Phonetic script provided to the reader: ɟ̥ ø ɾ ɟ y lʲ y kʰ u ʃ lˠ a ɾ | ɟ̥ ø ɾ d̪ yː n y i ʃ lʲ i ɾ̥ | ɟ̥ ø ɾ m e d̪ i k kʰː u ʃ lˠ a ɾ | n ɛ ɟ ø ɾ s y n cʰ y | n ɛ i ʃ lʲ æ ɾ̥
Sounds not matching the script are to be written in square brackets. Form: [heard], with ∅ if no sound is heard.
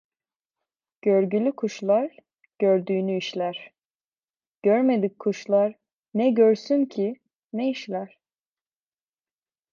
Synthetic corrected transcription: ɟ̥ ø ɾ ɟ y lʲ y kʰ u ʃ lˠ a ɾ | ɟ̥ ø ɾ d̪ yː n y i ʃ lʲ [æ] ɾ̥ | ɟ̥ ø ɾ m e d̪ i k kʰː u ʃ lˠ a ɾ | n ɛ ɟ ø ɾ s y n cʰ [i] | n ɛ i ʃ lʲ æ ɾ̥